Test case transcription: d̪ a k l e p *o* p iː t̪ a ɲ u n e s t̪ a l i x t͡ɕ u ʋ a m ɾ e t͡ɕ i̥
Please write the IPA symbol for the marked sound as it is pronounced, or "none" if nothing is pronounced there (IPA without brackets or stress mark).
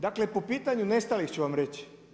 o